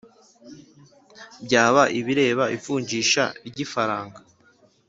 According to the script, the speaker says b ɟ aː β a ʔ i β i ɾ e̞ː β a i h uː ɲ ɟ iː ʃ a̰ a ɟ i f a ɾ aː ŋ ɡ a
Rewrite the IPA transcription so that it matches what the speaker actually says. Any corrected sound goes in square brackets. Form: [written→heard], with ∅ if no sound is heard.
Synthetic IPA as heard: b ɟ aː β a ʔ i β i ɾ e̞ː β a i [h→f] uː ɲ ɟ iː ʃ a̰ [a→i] ɟ i f a ɾ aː ŋ ɡ a